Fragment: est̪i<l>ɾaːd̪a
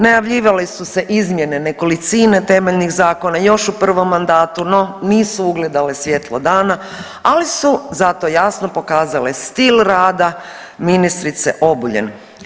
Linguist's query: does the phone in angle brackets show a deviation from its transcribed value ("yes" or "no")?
no